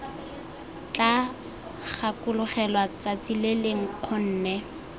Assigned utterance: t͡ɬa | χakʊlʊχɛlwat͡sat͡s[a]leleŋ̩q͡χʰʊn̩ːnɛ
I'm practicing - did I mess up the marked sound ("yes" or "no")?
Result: yes